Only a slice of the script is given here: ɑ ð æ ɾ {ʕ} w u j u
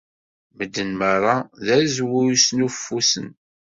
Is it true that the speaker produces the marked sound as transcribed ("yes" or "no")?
no